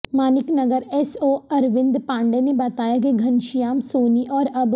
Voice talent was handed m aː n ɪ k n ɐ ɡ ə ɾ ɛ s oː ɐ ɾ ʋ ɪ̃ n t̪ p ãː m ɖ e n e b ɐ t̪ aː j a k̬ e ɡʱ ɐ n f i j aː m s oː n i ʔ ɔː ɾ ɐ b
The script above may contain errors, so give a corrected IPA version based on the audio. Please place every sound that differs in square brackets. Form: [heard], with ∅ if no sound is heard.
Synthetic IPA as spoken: m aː n ɪ k n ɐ ɡ ə ɾ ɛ s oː ɐ ɾ ʋ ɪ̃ n [d̪] p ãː [ɳ] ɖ e n e b ɐ t̪ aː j a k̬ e ɡʱ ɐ n [ʃ] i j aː m s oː n i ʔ ɔː ɾ ɐ b